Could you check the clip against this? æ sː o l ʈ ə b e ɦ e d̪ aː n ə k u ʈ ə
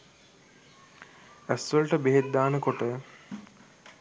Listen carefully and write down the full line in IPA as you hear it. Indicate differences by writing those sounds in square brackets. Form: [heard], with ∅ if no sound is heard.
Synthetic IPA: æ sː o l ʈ ə b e ɦ e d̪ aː n ə k [o] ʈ ə